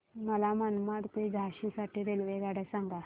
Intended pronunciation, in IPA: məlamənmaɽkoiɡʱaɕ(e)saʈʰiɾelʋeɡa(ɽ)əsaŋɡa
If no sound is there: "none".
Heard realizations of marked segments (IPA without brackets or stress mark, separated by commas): i, ɽ